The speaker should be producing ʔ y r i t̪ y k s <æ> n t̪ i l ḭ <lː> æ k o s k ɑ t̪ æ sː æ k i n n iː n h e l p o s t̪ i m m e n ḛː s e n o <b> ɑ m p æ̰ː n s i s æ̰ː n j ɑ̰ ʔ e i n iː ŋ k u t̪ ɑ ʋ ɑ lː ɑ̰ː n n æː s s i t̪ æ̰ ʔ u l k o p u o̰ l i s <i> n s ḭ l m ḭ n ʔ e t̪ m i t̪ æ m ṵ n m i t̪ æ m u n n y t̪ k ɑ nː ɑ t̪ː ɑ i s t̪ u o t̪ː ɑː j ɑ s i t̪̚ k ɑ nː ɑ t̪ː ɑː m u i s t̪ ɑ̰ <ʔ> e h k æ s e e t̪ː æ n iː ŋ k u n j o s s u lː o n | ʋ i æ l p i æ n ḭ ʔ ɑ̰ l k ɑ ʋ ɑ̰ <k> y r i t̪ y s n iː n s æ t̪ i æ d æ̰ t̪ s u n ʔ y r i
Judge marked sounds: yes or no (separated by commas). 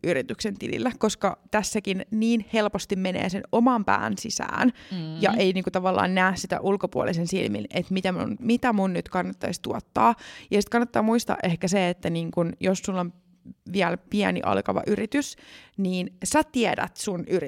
no, yes, no, no, yes, no